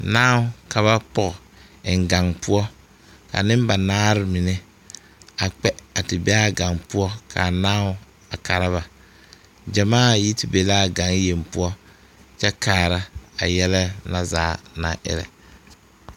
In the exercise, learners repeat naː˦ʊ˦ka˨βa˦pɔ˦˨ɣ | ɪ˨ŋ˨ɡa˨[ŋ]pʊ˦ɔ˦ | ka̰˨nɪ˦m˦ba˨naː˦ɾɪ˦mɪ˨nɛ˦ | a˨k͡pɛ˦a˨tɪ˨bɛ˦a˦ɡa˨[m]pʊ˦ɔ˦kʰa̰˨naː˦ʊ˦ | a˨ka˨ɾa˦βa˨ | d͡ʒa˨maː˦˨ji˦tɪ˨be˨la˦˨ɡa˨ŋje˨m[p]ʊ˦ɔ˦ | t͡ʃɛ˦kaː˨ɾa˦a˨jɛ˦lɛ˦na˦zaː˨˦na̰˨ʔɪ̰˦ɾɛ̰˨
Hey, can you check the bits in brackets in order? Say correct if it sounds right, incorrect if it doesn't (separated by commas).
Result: correct, incorrect, correct